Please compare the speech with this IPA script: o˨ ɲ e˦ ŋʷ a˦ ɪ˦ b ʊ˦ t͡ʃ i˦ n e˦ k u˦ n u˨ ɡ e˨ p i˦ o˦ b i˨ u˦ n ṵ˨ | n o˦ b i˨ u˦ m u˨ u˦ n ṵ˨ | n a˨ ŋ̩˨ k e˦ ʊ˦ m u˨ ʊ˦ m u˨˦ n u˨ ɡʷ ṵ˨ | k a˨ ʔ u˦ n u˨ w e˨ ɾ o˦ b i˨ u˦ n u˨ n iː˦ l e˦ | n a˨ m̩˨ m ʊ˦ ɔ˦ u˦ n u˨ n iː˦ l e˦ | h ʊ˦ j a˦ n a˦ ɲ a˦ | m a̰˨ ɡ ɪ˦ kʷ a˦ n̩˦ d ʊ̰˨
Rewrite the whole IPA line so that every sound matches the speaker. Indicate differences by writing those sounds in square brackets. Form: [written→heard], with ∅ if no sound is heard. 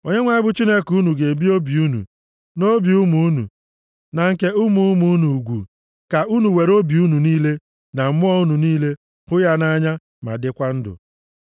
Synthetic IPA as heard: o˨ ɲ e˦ ŋʷ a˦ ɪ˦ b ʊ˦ t͡ʃ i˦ n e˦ k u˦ n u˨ ɡ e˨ [p→b] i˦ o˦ b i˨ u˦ n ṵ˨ | n o˦ b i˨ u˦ m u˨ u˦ n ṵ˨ | n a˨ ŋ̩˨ k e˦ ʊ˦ m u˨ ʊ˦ m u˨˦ n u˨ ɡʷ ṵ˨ | k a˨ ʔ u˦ n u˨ w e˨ ɾ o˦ b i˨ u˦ n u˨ n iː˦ l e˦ | n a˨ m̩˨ m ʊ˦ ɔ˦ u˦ n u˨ n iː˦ l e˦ | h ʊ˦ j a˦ n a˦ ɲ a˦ | m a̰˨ [ɡ→d] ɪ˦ kʷ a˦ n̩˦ d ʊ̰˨